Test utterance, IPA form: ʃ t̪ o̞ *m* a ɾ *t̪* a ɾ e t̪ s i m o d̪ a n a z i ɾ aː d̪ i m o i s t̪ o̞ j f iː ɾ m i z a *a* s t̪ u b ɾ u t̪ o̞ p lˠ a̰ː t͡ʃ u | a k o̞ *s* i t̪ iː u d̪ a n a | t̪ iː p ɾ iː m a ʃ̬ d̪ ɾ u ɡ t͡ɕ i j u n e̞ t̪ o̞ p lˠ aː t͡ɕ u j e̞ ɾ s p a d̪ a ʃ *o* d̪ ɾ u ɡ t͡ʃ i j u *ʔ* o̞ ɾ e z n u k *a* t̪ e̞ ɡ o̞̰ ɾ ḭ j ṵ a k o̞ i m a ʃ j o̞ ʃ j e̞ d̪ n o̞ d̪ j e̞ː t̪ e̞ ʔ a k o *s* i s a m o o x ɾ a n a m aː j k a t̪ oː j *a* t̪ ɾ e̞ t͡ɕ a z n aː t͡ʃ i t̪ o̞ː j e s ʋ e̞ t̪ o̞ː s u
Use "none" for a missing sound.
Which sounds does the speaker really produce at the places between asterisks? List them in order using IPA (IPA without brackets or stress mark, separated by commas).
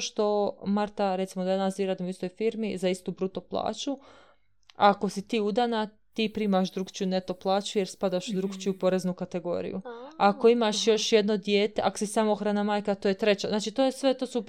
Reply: m, t̪, i, s, u, p, a, s, e